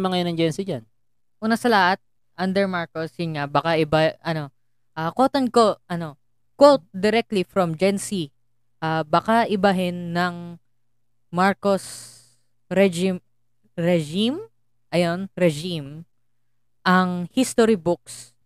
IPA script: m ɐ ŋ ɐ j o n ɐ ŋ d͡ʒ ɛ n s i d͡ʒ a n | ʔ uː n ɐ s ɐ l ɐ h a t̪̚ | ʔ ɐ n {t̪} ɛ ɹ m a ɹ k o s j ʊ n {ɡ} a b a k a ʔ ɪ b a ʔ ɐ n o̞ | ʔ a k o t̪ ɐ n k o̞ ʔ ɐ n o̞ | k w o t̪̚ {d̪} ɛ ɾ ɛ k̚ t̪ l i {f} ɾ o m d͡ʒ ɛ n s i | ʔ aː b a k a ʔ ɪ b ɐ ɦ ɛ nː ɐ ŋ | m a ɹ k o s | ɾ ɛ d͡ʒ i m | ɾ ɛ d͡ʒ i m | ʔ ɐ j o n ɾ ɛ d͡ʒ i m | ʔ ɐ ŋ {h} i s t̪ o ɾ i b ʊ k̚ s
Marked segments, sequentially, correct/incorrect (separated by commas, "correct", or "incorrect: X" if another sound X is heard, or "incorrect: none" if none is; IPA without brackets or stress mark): incorrect: d̪, incorrect: ŋ, correct, correct, correct